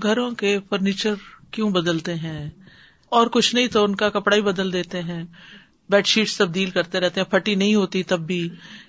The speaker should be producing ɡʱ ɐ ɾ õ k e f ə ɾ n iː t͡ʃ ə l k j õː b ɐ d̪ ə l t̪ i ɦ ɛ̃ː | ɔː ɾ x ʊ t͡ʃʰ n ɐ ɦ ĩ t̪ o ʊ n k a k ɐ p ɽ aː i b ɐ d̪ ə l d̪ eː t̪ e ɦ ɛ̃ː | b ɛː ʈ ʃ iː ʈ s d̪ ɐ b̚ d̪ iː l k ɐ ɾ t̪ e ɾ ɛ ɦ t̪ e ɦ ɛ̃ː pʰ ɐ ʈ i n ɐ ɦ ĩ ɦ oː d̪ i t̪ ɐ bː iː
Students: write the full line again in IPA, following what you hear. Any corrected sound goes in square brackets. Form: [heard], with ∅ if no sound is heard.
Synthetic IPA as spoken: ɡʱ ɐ ɾ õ k e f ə ɾ n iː t͡ʃ ə [ɾ] k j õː b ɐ d̪ ə l t̪ [e] ɦ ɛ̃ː | ɔː ɾ [k] ʊ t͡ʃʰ n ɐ ɦ ĩ t̪ o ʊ n k a k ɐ p ɽ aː i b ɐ d̪ ə l d̪ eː t̪ e ɦ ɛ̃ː | b ɛː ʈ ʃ iː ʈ s [t̪] ɐ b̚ d̪ iː l k ɐ ɾ t̪ e ɾ ɛ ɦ t̪ e ɦ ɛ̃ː pʰ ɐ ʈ i n ɐ ɦ ĩ ɦ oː [t̪] i t̪ ɐ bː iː